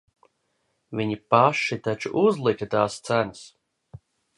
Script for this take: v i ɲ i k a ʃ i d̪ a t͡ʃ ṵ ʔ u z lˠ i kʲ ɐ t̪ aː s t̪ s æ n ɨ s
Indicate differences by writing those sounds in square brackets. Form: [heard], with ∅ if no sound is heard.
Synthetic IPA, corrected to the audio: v i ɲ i [p] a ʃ i [t̪] a t͡ʃ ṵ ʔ u z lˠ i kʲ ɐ t̪ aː s t̪ s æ n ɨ s